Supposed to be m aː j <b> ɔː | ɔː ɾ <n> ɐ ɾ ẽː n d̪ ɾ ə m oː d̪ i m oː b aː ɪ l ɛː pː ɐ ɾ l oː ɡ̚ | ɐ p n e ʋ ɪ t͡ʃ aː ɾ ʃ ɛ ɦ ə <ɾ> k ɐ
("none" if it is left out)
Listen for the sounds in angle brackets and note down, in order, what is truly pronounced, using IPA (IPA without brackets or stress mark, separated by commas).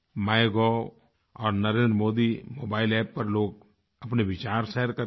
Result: ɡ, n, ɾ